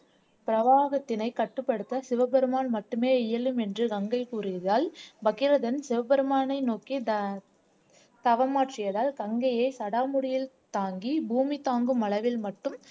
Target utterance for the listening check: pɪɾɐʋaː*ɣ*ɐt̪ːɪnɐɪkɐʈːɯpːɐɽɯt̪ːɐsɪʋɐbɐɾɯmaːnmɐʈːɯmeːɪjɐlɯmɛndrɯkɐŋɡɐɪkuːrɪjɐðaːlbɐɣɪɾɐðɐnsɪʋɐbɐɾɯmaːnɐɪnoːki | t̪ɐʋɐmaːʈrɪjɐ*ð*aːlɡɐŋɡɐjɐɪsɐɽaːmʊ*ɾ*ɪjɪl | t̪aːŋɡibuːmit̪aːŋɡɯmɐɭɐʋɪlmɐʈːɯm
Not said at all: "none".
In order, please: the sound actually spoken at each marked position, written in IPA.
ɣ, ð, ɽ

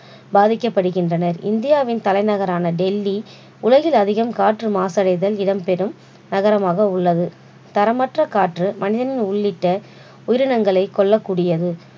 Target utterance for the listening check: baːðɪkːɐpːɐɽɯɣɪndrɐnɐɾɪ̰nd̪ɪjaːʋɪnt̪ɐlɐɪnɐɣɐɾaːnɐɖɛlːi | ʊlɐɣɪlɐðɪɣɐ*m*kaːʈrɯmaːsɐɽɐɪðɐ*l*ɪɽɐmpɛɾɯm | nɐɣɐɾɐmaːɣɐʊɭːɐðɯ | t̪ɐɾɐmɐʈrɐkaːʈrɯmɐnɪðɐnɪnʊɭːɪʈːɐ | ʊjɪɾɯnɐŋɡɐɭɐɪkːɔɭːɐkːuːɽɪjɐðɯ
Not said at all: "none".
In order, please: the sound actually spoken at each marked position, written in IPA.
m, l

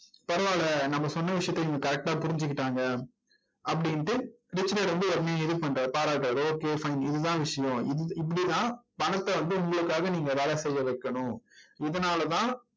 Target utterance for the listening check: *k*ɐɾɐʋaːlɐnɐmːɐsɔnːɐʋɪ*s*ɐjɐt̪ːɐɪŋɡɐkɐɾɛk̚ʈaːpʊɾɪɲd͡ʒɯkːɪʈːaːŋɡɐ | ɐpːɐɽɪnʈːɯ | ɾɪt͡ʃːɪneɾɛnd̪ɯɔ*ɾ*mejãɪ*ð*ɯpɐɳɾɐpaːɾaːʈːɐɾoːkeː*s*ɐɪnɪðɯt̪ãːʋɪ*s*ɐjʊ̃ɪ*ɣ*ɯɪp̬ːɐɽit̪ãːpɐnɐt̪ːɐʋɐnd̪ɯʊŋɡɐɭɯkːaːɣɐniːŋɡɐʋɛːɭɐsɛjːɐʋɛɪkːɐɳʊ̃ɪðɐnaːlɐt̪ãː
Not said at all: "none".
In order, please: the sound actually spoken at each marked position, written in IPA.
p, ʂ, ɾ, ð, f, ʂ, ð

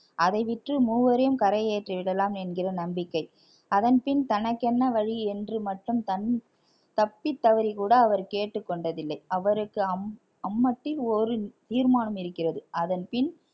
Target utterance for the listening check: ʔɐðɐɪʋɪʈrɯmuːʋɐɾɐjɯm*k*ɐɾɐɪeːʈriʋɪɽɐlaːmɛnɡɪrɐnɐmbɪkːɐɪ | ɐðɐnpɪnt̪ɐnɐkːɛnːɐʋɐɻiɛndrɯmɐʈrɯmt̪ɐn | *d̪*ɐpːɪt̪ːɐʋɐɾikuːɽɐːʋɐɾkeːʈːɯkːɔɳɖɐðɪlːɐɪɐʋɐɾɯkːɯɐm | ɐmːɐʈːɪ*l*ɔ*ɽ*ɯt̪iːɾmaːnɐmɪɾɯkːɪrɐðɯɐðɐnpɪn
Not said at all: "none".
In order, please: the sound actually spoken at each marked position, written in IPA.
k, t̪, l, ɾ

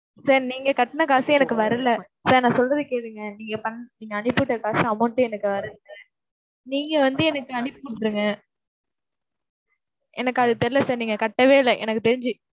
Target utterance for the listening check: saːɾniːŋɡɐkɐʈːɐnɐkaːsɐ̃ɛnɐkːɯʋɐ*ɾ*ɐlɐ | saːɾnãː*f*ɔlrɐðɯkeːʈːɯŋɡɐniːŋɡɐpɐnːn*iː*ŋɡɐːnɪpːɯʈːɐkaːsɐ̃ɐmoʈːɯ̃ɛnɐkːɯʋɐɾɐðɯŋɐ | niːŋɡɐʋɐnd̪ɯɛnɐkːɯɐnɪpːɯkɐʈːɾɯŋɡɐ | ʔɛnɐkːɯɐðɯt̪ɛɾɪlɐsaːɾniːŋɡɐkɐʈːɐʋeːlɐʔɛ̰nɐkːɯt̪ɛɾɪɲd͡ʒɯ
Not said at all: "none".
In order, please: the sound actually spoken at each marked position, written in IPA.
ɾ, s, iː

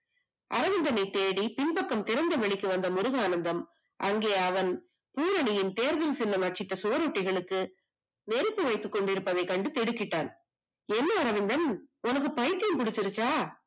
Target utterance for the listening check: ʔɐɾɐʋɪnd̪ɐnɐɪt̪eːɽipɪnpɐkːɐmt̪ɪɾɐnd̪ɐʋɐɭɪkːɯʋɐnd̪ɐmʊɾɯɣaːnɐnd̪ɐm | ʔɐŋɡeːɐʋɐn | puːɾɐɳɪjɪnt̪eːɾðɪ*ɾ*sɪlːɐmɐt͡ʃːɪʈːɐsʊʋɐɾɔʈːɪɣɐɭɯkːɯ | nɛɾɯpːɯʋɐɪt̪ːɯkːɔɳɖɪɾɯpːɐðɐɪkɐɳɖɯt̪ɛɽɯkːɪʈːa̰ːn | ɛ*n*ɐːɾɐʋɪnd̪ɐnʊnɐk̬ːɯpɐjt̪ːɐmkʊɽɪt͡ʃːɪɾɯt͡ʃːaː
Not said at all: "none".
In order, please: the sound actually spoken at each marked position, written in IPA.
l, nː

